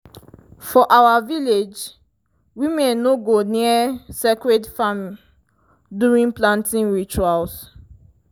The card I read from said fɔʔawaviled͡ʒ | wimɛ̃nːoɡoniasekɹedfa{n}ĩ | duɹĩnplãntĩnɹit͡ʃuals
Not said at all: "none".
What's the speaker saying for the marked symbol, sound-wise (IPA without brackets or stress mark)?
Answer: m